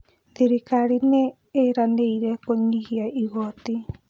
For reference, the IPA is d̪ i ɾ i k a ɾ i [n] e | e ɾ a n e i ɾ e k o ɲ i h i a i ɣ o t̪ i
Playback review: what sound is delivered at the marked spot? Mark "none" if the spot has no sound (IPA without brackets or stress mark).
n